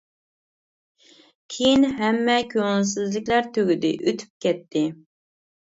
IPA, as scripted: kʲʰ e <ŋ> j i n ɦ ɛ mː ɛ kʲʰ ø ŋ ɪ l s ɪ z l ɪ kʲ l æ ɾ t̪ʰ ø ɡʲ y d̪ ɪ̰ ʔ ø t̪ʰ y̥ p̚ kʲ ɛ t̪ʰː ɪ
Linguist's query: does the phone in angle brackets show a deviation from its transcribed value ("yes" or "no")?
yes